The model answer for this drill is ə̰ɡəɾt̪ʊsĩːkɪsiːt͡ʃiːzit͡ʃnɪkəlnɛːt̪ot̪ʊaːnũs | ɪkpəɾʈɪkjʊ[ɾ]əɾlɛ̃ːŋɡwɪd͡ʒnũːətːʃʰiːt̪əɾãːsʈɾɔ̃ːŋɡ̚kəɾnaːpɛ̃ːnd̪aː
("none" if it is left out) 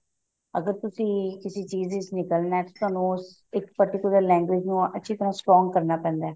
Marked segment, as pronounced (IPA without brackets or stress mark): l